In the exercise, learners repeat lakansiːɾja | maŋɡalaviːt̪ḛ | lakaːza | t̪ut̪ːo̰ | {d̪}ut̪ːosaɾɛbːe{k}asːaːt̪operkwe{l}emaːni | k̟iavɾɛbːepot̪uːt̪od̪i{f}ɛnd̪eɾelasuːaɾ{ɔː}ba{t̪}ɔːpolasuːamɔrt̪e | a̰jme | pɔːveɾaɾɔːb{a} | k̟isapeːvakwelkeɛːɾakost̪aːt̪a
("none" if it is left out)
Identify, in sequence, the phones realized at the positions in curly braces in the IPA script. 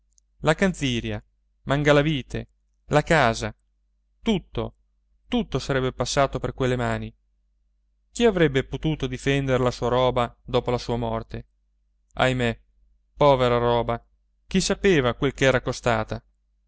t̪, p, lː, f, ɔː, d̪, a

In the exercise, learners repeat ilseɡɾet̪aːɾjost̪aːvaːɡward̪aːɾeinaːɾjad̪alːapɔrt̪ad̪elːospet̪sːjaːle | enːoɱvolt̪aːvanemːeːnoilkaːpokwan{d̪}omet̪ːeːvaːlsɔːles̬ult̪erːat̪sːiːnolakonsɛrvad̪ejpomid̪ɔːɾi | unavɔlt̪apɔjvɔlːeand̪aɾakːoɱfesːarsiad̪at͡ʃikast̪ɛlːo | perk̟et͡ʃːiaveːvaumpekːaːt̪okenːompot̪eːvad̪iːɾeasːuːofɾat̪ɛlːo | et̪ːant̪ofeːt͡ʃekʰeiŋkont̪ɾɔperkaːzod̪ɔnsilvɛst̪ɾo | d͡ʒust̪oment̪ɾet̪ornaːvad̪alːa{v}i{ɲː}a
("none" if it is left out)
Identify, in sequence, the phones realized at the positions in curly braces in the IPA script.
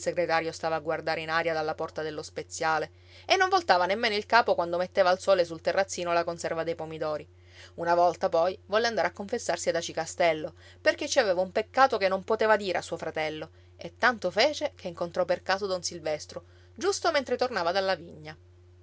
d̪, v, ɲː

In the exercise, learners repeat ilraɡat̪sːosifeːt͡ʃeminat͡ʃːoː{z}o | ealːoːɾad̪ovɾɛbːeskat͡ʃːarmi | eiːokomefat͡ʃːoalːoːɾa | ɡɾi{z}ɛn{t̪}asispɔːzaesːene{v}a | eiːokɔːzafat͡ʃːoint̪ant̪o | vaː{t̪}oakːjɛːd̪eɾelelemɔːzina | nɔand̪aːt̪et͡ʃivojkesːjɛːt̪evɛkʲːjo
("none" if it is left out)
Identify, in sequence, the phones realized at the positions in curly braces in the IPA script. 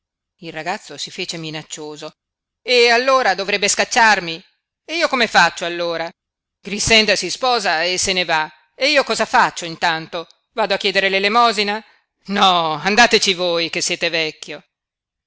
z, s, d̪, v, d̪

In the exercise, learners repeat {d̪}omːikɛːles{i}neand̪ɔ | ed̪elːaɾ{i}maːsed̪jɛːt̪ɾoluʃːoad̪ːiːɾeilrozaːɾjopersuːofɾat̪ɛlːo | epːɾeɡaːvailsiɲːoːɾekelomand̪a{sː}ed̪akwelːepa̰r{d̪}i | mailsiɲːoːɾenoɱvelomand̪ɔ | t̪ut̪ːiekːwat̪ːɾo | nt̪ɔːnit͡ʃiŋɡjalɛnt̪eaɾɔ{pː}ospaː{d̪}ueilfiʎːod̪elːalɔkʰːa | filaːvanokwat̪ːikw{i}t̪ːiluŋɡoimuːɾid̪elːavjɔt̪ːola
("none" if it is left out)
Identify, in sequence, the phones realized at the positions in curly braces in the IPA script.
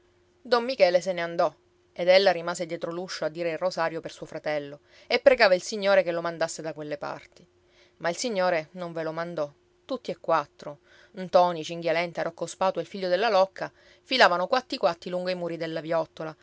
d̪, e, i, sː, t̪, kː, t̪, a

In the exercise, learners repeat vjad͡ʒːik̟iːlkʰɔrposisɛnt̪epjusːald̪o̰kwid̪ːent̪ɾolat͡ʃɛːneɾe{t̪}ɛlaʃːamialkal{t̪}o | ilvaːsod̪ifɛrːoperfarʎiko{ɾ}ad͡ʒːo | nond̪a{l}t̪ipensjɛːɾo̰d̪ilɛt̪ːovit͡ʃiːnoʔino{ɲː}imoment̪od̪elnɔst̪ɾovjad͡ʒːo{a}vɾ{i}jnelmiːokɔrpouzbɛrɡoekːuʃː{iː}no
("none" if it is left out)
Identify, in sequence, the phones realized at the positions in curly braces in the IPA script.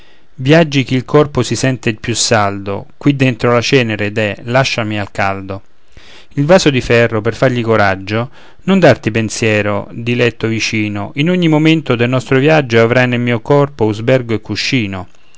d̪, d̪, ɾ, r, ɲː, a, a, iː

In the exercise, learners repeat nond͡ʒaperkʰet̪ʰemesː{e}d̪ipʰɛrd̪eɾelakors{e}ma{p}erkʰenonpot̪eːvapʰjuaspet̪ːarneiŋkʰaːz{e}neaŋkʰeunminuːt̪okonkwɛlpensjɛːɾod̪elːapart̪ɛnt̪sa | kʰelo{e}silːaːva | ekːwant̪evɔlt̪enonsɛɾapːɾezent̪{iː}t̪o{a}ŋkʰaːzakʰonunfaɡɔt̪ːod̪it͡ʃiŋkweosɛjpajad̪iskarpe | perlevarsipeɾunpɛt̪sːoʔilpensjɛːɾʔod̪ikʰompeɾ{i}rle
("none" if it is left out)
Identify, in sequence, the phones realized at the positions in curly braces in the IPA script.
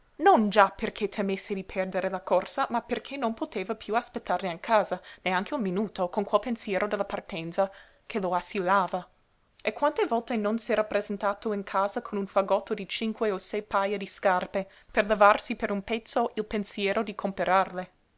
e, a, p, a, a, aː, i, a

